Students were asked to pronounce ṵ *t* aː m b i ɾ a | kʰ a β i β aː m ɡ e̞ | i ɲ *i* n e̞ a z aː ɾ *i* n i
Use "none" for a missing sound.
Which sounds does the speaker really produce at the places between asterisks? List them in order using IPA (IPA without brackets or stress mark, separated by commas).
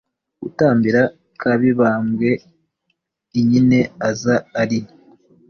t, i, i